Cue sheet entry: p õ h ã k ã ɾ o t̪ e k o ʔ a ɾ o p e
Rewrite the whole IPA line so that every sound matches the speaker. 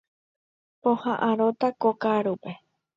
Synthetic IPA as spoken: p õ h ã ʔ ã ɾ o t̪ a k o k a ɾ u p e